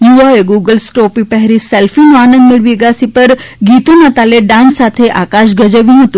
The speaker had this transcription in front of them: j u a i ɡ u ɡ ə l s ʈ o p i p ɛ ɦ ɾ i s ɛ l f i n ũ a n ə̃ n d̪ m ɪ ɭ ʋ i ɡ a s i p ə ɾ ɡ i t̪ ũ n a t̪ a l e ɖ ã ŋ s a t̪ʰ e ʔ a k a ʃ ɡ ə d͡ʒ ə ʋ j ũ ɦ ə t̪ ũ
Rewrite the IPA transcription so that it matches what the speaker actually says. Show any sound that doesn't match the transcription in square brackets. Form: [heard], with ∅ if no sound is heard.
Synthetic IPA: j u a [e] ɡ u ɡ ə l s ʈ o p i p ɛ ɦ ɾ i s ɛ l f i n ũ a n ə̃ n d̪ m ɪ ɭ ʋ i ɡ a s i p ə ɾ ɡ i t̪ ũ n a t̪ a l e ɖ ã [n] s a t̪ʰ e ʔ a k a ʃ ɡ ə d͡ʒ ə ʋ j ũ ɦ ə t̪ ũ